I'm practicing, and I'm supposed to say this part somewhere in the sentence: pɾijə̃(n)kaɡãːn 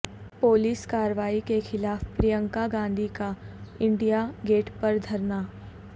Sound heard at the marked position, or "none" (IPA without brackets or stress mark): ŋ